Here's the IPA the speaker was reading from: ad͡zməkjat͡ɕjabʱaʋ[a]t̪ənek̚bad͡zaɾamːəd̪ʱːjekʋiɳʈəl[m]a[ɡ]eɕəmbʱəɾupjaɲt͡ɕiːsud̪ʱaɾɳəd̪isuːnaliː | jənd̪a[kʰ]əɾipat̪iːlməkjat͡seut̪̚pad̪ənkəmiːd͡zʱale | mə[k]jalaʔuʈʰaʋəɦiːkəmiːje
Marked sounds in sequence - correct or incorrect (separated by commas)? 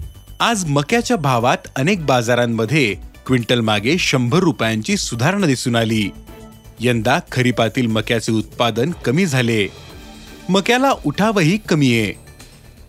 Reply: correct, correct, correct, correct, correct